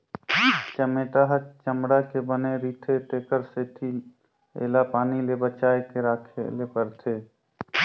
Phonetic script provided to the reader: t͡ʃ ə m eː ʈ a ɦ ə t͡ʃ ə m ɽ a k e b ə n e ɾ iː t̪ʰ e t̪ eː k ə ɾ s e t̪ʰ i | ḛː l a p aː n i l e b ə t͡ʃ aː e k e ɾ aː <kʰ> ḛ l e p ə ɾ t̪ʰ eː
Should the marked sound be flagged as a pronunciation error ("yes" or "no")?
no